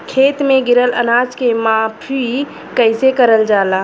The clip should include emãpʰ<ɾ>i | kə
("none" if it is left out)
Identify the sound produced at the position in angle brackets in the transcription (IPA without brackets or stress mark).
ɾ